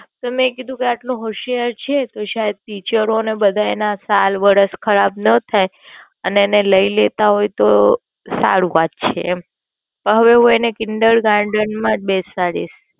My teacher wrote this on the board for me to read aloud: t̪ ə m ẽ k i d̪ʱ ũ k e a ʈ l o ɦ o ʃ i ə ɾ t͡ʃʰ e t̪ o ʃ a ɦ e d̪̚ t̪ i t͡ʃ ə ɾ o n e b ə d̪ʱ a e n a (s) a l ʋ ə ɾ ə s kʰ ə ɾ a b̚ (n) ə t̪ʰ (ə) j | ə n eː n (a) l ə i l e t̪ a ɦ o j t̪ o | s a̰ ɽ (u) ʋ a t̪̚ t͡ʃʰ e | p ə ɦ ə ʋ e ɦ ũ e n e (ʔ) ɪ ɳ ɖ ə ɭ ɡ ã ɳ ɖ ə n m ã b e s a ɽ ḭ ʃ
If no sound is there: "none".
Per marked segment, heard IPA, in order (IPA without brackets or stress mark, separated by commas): s, n, a, e, u, k